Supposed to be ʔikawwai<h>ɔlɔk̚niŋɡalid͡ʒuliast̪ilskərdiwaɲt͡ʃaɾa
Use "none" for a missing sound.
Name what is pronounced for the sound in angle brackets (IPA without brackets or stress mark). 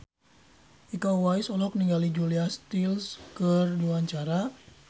s